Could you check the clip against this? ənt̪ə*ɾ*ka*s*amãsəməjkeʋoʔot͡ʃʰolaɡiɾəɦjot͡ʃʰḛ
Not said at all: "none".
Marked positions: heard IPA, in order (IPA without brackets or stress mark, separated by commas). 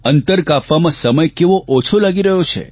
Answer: ɾ, f